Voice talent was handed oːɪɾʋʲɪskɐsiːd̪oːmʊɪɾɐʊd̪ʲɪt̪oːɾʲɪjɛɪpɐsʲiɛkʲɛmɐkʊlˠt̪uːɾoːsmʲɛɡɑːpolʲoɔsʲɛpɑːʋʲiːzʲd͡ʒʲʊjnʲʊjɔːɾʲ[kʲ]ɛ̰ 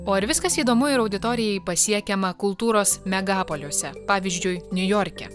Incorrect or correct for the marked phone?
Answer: correct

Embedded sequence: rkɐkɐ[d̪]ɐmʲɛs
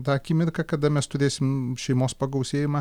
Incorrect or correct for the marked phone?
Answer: correct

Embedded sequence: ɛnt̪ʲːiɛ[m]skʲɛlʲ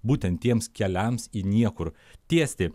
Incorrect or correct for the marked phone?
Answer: correct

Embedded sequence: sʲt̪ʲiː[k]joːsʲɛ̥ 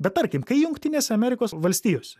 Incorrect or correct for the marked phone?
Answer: incorrect: none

